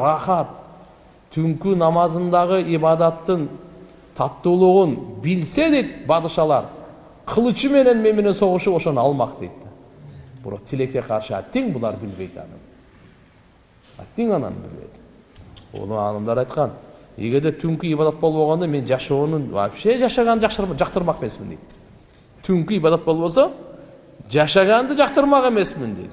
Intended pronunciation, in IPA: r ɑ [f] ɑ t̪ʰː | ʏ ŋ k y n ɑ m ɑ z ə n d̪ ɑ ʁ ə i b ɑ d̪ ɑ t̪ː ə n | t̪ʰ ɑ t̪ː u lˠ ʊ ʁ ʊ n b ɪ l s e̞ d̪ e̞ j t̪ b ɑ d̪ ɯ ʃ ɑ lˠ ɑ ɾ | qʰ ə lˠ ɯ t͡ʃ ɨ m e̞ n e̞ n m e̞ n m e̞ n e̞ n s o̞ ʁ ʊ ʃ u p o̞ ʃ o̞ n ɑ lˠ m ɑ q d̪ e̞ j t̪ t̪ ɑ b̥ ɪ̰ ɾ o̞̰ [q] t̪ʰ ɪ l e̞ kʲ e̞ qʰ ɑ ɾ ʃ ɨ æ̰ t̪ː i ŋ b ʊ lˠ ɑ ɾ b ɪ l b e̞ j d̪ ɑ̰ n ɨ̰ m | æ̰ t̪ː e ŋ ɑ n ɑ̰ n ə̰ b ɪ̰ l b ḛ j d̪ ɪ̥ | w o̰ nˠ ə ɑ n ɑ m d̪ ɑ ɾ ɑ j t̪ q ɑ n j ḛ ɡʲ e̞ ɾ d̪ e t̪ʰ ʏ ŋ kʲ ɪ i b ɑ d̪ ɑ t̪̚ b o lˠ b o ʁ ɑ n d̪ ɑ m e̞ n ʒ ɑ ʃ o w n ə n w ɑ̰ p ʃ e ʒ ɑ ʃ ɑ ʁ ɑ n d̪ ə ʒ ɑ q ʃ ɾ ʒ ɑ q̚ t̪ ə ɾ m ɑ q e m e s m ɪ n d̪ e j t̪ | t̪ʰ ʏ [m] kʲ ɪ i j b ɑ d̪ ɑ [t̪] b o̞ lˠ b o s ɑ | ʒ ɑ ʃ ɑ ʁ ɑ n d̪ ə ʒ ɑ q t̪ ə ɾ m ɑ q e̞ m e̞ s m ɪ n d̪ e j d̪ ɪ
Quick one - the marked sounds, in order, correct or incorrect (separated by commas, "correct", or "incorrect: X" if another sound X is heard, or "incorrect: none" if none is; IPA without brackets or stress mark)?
incorrect: χ, correct, incorrect: ŋ, correct